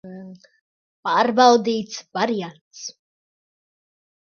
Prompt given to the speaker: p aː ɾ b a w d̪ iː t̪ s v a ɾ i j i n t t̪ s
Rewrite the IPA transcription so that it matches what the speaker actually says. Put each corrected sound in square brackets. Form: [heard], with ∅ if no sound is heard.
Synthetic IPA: p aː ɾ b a w d̪ iː t̪ s v a ɾ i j [a] n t t̪ s